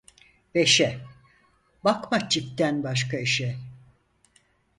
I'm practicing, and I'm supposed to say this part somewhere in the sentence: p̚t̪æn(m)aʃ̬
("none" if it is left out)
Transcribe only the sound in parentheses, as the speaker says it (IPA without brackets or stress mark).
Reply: b